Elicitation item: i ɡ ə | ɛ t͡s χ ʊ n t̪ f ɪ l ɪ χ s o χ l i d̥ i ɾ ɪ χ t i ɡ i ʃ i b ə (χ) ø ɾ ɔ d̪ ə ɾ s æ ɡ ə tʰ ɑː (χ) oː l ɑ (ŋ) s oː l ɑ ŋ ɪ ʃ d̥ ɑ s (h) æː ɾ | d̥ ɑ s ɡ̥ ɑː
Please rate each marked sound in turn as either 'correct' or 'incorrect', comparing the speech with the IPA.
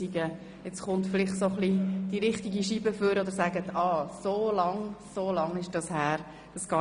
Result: incorrect: f, incorrect: s, correct, correct

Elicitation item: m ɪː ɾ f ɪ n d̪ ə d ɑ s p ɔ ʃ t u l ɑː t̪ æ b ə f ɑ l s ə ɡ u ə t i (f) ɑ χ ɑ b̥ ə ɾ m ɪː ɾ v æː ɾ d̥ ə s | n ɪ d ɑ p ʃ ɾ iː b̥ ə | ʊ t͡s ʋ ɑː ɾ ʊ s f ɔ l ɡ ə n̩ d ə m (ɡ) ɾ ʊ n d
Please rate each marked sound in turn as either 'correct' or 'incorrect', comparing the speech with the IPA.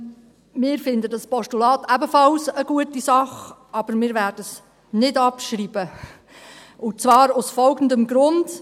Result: incorrect: s, correct

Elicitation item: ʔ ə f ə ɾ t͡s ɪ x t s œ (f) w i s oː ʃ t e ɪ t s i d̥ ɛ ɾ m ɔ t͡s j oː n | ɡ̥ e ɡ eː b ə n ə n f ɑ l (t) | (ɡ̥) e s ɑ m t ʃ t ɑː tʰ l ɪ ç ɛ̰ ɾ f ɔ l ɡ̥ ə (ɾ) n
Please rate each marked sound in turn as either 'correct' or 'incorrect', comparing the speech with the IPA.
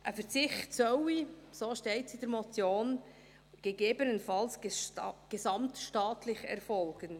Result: incorrect: none, incorrect: s, correct, incorrect: none

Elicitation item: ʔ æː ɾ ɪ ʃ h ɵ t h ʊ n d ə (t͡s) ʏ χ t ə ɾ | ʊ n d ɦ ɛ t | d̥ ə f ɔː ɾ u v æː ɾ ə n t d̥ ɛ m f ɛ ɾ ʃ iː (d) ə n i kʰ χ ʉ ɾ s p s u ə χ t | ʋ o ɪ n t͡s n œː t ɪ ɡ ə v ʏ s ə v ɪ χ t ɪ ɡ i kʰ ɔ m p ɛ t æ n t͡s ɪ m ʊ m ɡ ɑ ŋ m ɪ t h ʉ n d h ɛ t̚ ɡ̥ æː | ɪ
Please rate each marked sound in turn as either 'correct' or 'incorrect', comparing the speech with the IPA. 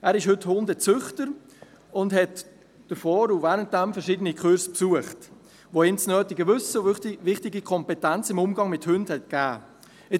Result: correct, correct

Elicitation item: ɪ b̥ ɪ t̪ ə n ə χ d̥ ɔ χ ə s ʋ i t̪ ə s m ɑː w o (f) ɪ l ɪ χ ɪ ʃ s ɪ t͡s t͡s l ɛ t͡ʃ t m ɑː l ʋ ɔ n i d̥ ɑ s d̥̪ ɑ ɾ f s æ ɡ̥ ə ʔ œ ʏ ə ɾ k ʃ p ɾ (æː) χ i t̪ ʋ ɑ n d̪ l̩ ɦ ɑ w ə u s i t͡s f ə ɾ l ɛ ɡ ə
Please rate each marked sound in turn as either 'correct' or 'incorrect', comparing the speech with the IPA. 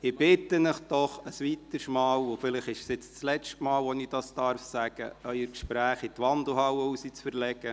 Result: correct, correct

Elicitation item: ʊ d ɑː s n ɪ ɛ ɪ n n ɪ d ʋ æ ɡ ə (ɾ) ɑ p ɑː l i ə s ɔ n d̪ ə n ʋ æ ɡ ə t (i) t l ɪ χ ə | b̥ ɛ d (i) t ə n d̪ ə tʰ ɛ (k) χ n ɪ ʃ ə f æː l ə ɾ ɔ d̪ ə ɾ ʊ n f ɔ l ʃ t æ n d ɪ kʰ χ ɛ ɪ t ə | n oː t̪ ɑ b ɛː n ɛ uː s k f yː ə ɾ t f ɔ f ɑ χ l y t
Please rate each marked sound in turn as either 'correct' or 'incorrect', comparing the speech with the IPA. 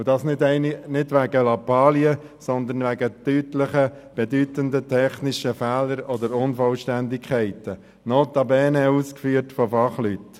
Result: incorrect: l, incorrect: y, incorrect: y, incorrect: none

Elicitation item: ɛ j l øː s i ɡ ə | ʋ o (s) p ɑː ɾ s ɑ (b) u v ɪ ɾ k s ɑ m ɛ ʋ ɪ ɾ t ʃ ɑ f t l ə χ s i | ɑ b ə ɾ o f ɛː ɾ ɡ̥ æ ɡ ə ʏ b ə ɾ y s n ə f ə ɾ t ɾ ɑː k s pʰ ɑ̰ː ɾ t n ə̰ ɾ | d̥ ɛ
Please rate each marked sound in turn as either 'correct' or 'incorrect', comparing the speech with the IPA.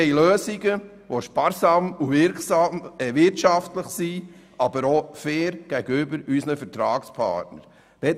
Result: incorrect: ʃ, incorrect: m

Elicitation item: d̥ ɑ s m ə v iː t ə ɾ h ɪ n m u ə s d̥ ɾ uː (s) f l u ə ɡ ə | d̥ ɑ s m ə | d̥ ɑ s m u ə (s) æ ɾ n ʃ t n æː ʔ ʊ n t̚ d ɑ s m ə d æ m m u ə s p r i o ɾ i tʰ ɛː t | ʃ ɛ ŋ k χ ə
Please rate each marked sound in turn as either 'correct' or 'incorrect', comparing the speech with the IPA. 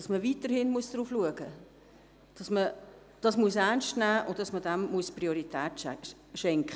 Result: incorrect: none, correct

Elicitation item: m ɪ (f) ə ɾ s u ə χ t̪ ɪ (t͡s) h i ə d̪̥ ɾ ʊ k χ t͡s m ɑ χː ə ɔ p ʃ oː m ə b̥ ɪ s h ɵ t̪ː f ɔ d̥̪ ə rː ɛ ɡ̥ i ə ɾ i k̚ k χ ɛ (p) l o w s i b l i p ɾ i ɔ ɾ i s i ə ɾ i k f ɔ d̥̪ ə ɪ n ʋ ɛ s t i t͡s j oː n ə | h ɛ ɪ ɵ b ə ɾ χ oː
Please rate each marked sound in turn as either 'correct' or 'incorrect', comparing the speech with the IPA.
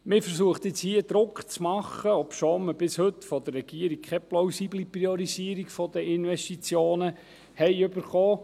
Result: correct, correct, correct

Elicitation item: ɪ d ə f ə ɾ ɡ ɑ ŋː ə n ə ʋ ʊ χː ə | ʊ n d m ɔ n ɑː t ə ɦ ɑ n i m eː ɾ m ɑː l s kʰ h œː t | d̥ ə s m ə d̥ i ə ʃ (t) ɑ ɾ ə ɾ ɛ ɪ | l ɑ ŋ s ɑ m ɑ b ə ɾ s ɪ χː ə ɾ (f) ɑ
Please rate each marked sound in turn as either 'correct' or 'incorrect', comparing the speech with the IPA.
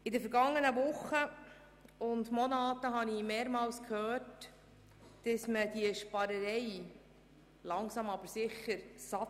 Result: incorrect: p, incorrect: s

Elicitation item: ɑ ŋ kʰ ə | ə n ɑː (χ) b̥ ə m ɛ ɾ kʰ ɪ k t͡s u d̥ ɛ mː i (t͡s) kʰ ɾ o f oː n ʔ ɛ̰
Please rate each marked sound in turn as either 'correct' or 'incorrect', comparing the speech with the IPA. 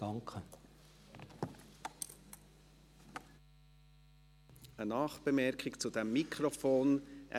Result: correct, incorrect: none

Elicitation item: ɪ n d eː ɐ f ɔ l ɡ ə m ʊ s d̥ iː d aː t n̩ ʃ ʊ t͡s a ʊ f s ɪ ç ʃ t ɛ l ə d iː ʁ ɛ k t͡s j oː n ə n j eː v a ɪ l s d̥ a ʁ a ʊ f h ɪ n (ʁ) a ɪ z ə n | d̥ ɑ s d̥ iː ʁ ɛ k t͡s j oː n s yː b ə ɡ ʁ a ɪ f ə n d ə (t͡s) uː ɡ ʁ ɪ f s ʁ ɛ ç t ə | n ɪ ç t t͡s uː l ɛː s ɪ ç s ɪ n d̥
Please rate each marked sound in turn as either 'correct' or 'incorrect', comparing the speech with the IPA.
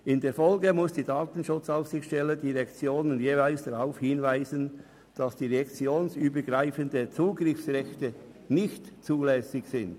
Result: incorrect: v, correct

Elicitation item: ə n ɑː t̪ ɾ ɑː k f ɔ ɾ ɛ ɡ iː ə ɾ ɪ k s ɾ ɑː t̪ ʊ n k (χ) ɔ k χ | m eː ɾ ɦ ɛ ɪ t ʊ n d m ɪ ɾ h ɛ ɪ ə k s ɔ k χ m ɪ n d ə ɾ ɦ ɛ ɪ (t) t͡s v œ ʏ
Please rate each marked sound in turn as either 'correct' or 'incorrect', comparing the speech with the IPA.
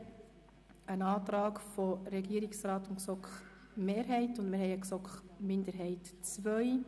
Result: incorrect: s, correct

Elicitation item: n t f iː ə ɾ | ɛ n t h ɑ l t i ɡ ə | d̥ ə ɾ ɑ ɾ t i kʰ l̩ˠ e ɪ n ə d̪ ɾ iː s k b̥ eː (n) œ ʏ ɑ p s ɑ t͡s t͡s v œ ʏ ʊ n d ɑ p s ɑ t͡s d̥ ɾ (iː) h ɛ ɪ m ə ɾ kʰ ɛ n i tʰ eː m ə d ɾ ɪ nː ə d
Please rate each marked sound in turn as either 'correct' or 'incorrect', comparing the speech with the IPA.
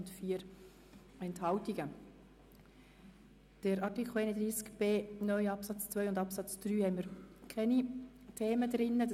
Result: correct, incorrect: yː

